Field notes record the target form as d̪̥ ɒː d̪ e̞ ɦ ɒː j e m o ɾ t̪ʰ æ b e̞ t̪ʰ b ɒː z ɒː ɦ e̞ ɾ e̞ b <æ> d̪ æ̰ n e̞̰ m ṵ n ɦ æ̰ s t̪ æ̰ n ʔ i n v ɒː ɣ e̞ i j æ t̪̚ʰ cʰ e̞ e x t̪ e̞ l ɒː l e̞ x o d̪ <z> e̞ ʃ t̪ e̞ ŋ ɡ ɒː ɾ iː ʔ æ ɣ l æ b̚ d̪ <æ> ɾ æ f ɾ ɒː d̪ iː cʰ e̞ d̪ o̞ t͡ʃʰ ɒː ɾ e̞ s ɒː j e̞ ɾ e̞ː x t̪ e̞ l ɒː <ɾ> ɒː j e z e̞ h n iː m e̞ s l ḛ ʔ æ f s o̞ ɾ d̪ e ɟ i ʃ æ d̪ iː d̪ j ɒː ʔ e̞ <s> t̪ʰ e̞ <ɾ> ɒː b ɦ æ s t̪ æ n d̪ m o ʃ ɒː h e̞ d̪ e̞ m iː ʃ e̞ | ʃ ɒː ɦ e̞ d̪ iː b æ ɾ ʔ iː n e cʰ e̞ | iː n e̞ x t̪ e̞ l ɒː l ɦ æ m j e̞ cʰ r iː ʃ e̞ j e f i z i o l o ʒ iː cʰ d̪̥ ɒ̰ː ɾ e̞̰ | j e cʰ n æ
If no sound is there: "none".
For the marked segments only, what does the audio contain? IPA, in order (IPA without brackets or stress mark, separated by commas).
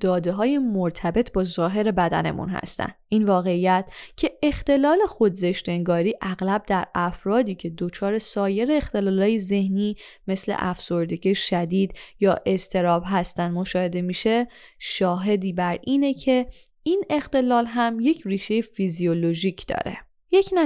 æ, z, æ, l, s, ɾ